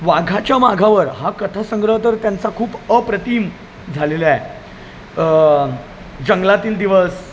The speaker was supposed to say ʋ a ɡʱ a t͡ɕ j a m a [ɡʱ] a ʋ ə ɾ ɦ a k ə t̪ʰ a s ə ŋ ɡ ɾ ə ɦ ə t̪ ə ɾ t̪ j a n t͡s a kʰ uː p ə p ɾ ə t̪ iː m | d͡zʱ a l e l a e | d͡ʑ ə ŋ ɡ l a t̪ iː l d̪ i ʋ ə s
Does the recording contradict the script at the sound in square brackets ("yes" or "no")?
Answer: no